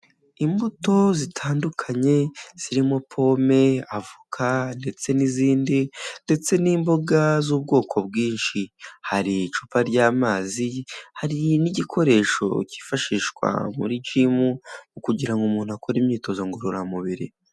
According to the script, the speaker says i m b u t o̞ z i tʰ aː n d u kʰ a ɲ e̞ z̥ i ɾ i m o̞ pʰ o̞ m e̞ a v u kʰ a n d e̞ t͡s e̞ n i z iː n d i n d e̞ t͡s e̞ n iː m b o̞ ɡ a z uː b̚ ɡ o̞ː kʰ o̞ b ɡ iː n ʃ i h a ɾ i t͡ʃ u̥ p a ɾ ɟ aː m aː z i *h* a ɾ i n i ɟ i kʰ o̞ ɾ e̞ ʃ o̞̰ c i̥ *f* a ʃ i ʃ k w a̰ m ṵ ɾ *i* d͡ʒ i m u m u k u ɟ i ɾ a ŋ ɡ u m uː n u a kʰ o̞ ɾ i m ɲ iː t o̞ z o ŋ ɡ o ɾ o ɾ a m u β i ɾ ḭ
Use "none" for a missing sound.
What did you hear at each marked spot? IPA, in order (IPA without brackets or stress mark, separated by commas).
h, f, i